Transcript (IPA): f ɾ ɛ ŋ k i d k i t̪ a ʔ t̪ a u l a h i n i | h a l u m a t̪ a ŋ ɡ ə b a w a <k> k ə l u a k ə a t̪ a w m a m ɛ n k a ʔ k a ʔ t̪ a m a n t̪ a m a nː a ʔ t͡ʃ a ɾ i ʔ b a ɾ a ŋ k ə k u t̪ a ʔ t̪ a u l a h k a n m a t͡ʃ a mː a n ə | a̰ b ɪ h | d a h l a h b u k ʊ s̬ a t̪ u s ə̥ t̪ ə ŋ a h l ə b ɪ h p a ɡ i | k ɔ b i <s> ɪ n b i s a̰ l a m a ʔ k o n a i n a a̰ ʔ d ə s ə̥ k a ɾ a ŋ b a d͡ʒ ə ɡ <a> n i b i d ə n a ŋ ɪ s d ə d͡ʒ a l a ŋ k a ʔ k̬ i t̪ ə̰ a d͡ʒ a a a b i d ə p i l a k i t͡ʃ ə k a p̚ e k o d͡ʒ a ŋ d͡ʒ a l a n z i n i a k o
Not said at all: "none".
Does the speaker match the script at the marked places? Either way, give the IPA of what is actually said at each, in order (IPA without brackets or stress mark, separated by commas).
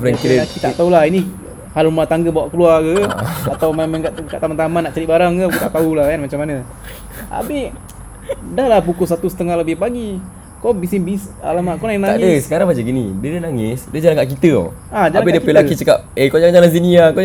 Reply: ʔ, s, i